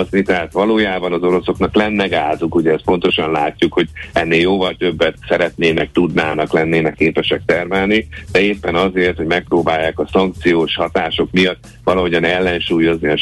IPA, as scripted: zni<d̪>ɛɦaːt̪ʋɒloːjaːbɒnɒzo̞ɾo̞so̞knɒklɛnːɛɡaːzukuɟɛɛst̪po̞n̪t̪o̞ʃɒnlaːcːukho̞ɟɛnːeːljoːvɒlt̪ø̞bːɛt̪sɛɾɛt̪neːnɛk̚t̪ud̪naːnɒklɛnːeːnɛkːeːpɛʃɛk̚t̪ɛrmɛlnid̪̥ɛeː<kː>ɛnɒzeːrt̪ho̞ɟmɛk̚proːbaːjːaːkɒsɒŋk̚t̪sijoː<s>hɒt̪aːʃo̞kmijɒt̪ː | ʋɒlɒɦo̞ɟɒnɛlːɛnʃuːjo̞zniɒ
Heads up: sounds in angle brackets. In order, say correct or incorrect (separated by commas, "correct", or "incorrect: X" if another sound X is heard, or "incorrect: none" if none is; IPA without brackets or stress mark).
incorrect: t̪, incorrect: pː, incorrect: ʃ